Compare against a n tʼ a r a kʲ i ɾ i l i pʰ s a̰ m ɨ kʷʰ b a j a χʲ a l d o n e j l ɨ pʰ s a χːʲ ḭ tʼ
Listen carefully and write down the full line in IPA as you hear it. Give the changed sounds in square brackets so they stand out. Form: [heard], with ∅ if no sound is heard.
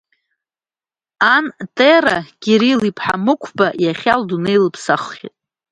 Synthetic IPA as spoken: a n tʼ [e] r a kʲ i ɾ i l i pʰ [ħ] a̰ m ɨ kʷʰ b a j a χʲ a l d [u] n e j l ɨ pʰ s a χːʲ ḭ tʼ